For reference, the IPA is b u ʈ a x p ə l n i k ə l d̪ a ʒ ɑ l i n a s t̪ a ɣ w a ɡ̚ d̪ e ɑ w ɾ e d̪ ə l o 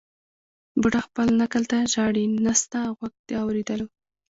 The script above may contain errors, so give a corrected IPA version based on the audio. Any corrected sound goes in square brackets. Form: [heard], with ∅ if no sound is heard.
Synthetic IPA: b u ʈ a x p ə l n [a] k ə l [t̪] a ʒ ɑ [ɽ] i n a s t̪ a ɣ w a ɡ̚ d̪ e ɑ w ɾ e d̪ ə l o